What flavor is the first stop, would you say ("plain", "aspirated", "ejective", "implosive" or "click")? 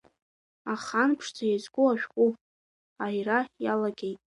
aspirated